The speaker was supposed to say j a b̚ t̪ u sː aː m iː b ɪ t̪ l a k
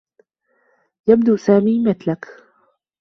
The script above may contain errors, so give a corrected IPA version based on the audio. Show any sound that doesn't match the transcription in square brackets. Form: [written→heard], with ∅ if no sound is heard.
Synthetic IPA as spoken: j a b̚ [t̪→d̪] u [sː→s] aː m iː [b→m] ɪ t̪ l a k

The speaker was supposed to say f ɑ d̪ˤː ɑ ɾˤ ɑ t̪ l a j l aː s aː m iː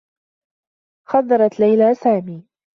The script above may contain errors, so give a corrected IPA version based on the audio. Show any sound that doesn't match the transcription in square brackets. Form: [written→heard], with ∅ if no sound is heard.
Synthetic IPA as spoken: [f→x] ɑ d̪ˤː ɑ ɾˤ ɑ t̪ l a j l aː s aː m iː

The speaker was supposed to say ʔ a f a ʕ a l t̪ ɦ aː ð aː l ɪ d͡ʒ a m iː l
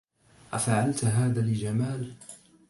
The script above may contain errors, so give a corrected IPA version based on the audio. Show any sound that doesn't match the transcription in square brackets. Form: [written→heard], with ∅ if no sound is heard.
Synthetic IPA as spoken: ʔ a f a ʕ a l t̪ ɦ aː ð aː l ɪ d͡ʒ a m [iː→aː] l

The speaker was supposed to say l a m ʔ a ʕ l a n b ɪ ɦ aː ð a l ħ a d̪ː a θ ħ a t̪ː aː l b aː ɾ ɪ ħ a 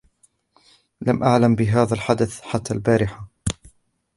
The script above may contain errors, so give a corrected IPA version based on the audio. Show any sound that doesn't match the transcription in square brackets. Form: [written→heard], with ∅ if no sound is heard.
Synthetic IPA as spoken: l a m ʔ a ʕ l a [n→m] b ɪ ɦ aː ð a l ħ a [d̪ː→d̪] a θ ħ a t̪ː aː l b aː ɾ ɪ ħ a

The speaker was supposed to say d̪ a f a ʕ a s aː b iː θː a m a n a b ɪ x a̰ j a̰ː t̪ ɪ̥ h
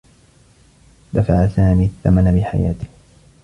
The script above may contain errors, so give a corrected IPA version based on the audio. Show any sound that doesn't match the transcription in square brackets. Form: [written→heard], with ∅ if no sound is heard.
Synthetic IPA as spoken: d̪ a f a ʕ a s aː [b→m] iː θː a m a n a b ɪ [x→ħ] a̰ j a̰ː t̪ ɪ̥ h

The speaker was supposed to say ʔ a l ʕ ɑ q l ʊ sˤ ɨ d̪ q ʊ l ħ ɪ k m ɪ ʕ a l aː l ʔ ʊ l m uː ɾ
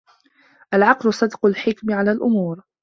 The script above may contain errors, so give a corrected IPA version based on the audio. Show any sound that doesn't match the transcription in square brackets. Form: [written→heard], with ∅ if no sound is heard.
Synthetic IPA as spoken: ʔ a l ʕ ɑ q l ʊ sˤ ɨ d̪ q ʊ l ħ ɪ k m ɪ ʕ a l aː l ʔ ʊ [l→∅] m uː ɾ

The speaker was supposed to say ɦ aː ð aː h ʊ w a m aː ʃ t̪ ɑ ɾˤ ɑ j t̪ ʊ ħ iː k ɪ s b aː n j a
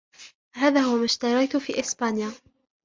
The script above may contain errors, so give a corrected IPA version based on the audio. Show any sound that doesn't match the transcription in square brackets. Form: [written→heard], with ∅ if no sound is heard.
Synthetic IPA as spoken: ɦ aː ð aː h ʊ w a m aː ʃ t̪ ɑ ɾˤ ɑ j t̪ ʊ [ħ→f] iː [k→ʔ] ɪ s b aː n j a

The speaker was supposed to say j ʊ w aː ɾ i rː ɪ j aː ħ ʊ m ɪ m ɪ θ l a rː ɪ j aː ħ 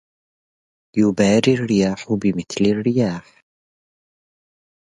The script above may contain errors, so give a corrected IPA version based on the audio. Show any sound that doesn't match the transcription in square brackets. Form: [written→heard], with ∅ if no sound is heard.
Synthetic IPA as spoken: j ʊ [w→b] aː ɾ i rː ɪ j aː ħ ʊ [m→b] ɪ m ɪ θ l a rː ɪ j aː ħ

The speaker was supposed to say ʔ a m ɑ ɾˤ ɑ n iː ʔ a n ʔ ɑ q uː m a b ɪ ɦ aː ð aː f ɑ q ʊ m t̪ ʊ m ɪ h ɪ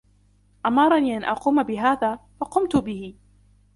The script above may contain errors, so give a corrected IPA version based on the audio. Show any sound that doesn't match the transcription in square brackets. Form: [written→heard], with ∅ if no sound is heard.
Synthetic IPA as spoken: ʔ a m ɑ ɾˤ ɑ n iː ʔ a n ʔ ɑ q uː m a b ɪ ɦ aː ð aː f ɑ q ʊ m t̪ ʊ [m→b] ɪ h ɪ

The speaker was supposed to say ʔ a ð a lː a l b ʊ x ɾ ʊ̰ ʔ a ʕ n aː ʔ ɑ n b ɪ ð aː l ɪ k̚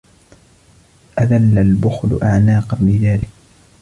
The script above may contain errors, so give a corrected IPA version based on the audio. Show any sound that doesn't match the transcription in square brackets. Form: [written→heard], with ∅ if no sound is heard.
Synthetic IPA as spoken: ʔ a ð a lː a l b ʊ x [ɾ→l] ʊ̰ ʔ a ʕ n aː [ʔ→q] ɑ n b ɪ ð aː l ɪ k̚

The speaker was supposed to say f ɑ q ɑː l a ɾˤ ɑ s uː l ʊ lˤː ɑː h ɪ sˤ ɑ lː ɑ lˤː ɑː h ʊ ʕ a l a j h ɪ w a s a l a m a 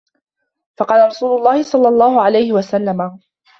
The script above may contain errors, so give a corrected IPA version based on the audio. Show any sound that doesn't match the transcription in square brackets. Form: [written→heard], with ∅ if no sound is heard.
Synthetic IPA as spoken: f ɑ q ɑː l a ɾˤ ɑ s uː l ʊ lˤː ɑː h ɪ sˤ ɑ lː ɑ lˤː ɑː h ʊ ʕ a l a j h ɪ w a s a [l→lː] a m a

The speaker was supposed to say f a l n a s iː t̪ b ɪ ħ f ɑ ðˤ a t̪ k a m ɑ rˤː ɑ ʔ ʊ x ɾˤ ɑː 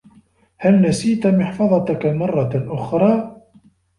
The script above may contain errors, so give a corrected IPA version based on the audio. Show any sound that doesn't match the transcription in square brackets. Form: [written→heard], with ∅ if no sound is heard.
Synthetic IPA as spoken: [f→h] a l n a s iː t̪ [b→m] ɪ ħ f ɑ ðˤ [a→ɑ] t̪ k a m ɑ rˤː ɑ ʔ ʊ x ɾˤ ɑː

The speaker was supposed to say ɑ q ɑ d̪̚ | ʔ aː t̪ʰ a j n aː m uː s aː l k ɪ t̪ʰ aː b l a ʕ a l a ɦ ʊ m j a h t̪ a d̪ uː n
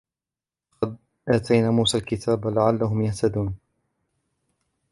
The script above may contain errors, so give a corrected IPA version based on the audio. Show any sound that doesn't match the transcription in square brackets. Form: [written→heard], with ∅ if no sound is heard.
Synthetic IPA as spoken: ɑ q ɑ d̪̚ | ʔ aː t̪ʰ a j n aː m uː s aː l k ɪ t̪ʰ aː b l a ʕ a [l→lː] a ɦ ʊ m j a h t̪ a d̪ uː n

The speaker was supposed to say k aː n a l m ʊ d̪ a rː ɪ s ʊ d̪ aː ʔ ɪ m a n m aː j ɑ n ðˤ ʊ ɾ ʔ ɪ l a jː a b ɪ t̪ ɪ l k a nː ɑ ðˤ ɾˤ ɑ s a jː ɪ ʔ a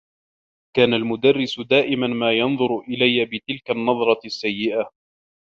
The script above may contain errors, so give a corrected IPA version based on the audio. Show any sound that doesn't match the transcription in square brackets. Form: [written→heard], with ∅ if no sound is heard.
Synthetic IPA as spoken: k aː n a l m ʊ d̪ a rː ɪ s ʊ d̪ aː ʔ ɪ m a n m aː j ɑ n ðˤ ʊ ɾ ʔ ɪ l a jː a b ɪ t̪ ɪ l k a nː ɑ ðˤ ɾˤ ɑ [s→sː] a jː ɪ ʔ a

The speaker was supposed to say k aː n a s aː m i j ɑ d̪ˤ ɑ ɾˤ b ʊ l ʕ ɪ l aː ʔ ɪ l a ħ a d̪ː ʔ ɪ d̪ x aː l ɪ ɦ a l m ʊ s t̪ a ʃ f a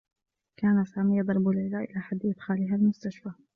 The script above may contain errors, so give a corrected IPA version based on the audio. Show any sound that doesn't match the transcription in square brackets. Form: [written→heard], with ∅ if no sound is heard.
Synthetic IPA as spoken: k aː n a s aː m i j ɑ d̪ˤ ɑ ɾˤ b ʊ l ʕ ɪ l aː ʔ ɪ l a ħ a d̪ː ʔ ɪ d̪ x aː l ɪ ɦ a l m ʊ s t̪ a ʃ f a

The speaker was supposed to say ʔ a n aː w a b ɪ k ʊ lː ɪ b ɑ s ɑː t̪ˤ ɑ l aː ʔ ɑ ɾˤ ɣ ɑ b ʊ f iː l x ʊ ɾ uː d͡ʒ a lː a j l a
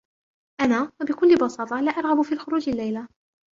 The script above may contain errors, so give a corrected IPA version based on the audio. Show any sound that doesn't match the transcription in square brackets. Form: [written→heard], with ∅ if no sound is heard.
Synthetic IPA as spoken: ʔ a n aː w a b ɪ k ʊ lː ɪ b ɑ s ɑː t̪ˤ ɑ l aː ʔ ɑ ɾˤ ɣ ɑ b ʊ f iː l x ʊ ɾ uː d͡ʒ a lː a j l a

